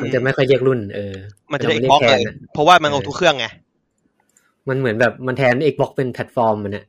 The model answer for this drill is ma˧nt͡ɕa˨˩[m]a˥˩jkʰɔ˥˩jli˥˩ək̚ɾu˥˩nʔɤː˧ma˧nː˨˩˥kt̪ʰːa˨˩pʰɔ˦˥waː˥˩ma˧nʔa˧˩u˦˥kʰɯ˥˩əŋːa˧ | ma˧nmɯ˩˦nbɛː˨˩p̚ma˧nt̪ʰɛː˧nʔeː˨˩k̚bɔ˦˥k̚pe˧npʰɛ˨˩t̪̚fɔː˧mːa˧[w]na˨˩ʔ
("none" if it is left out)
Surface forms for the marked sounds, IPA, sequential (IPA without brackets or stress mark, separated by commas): m, none